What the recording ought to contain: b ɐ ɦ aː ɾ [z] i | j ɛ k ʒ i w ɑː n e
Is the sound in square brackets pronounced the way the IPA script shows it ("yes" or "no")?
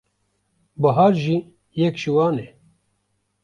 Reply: no